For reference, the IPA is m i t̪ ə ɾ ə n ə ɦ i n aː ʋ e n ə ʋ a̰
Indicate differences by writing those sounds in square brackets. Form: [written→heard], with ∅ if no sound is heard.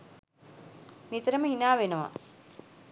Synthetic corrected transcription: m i t̪ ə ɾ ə [n→m] ə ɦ i n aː ʋ e n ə ʋ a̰